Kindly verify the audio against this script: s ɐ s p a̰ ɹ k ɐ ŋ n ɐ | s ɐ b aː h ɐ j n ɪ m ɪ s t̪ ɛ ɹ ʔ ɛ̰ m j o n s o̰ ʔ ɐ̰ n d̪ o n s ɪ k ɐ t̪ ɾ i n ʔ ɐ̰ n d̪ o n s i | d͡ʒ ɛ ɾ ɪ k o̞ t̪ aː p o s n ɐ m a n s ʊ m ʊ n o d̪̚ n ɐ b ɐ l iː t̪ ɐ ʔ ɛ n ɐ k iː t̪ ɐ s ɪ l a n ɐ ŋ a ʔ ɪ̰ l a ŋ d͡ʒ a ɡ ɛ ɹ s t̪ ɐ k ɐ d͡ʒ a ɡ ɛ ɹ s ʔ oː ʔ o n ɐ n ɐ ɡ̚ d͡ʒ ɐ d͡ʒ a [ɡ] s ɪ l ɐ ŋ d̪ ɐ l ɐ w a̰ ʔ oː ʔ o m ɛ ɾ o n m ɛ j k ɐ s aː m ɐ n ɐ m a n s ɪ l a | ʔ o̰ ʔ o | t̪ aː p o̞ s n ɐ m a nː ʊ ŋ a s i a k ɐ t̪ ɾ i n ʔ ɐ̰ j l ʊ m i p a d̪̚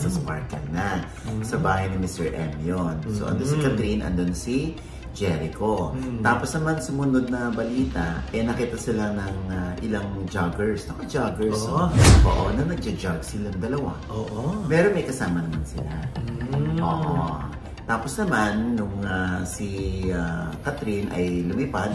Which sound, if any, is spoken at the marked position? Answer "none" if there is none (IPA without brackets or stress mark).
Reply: ɡ